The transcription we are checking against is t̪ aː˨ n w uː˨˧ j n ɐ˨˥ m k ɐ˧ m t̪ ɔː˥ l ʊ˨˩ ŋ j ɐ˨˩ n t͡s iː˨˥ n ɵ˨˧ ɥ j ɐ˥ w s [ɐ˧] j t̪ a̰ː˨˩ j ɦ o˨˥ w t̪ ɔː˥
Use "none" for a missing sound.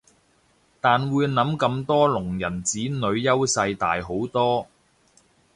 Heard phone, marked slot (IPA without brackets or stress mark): ɐ˧